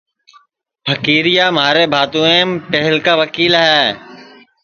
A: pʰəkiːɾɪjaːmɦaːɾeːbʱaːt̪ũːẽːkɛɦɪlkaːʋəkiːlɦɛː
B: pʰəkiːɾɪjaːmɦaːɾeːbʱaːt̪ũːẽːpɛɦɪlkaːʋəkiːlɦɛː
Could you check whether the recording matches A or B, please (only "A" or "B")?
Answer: B